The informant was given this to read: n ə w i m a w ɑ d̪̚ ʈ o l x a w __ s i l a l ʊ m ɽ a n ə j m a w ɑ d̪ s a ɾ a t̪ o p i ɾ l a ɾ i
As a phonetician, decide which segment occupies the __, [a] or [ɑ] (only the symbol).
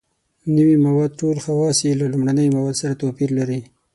ɑ